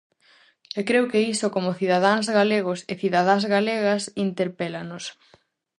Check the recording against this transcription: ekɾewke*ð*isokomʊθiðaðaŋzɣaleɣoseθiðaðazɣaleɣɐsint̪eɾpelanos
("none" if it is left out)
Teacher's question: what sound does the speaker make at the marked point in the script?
none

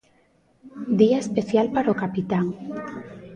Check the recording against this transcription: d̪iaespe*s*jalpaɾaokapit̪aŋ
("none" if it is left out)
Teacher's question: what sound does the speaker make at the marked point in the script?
θ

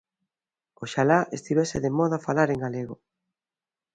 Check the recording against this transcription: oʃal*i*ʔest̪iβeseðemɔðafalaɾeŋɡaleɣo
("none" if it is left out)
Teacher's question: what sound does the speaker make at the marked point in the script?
a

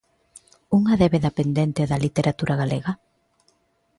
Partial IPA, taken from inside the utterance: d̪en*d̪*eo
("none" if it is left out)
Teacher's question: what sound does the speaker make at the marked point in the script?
t̪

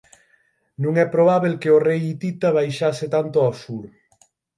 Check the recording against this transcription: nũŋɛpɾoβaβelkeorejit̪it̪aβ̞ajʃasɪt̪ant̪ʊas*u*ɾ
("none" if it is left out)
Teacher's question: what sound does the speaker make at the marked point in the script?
u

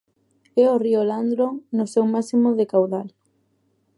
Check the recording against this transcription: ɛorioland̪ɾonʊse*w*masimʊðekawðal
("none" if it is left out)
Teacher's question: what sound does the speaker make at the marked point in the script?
w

